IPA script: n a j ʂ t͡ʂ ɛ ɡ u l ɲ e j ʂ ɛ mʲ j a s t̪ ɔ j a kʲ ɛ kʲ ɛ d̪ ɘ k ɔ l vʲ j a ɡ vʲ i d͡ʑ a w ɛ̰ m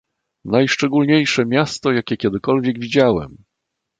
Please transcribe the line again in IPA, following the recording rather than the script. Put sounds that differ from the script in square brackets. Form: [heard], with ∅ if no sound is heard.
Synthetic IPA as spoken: n a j ʂ t͡ʂ ɛ ɡ u l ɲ e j ʂ ɛ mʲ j a s t̪ ɔ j a kʲ ɛ kʲ ɛ d̪ ɘ k ɔ l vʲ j [ɛ] ɡ vʲ i d͡ʑ a w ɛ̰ m